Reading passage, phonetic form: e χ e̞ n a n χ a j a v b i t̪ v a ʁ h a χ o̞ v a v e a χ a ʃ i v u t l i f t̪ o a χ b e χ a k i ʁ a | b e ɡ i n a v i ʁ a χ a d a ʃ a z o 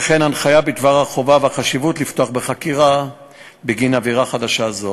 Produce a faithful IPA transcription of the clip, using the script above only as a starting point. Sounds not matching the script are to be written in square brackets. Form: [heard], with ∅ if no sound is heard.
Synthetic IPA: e χ e̞ n a n χ a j a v b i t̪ v a ʁ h a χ o̞ v a v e a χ a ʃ i v u t l i f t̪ o a χ b e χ a k i ʁ a | b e ɡ i n a v i ʁ a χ a d a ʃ a z o